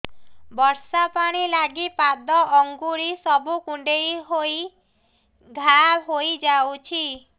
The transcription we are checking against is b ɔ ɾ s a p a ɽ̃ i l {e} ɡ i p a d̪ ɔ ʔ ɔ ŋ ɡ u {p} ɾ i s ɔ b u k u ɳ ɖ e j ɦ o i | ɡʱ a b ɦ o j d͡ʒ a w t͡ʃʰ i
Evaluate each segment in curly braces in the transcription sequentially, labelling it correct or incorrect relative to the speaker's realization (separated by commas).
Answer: incorrect, incorrect